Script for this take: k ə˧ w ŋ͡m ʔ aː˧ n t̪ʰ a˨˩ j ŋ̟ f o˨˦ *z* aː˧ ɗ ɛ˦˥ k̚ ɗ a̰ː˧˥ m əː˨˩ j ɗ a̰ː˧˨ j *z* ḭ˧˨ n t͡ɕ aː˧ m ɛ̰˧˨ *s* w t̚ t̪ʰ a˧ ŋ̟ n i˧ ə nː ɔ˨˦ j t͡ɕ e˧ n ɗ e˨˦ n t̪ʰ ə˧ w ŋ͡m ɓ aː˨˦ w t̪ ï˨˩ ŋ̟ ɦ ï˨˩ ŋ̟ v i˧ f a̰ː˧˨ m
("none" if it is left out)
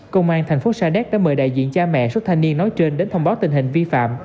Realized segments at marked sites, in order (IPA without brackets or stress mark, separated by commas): s, z, s